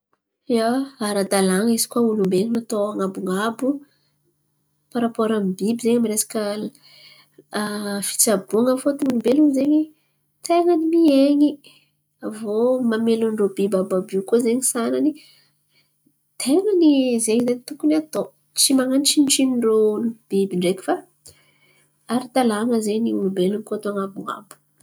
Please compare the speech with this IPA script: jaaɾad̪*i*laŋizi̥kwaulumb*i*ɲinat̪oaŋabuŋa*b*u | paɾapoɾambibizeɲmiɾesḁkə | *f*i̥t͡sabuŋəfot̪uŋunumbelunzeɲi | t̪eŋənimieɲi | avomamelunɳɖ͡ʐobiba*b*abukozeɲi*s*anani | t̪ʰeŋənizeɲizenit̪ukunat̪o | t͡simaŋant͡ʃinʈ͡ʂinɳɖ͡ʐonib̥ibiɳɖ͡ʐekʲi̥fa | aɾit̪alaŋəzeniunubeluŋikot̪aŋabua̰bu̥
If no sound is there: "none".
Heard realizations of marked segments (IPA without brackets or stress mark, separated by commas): a, e, b, f, b, s